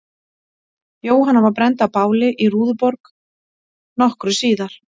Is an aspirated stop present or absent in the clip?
absent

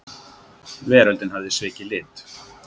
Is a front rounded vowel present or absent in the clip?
present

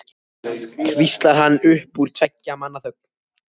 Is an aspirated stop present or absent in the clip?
present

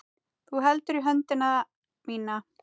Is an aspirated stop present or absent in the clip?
absent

